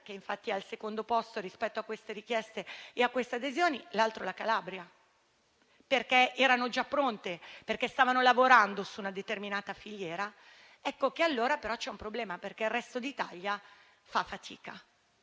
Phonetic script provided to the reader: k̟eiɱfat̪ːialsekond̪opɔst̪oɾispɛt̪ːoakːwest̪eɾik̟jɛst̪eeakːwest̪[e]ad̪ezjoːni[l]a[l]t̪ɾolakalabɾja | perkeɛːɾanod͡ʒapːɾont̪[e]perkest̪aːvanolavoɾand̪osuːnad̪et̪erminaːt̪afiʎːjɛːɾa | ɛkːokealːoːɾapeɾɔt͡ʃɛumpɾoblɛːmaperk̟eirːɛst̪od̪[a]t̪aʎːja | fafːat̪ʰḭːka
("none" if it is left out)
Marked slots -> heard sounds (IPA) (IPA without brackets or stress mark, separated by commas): e, l, l, e, i